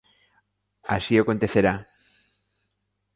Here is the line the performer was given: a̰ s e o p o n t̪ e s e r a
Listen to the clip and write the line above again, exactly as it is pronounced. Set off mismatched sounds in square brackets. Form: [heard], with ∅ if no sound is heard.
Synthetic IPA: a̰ s [i] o [k] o n t̪ e [θ] e [ɾ] a

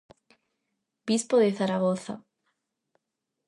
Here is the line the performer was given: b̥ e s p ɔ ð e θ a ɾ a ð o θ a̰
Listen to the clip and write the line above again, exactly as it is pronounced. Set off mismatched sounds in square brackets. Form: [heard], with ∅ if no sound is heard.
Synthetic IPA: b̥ [i] s p [o] ð e θ a ɾ a [ɣ] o θ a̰

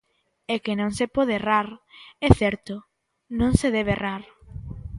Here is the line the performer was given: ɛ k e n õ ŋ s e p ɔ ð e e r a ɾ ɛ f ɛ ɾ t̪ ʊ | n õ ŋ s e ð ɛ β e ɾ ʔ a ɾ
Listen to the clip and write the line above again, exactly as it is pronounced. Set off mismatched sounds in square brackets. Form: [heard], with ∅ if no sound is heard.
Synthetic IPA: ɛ k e n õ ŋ s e p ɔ ð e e r a ɾ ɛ [θ] ɛ ɾ t̪ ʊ | n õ ŋ s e ð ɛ β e [r] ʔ a ɾ

